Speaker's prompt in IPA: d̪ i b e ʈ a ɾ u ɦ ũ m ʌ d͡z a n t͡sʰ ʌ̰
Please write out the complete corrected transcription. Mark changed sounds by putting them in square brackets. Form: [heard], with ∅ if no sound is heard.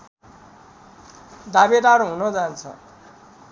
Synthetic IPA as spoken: d̪ [a] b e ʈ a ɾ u ɦ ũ [n] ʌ d͡z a n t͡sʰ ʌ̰